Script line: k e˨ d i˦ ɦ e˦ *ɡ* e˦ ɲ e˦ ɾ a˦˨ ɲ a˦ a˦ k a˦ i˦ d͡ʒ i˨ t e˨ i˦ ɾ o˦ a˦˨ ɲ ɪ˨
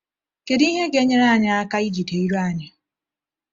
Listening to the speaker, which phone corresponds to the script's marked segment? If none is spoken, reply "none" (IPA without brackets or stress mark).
ɡ